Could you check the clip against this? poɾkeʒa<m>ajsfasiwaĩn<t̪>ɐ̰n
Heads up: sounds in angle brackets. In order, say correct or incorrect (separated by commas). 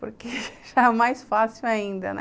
correct, incorrect